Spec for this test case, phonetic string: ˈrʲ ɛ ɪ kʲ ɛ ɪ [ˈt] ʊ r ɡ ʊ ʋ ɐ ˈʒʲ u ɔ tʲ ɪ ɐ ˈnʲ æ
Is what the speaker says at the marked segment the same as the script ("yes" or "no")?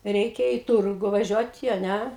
yes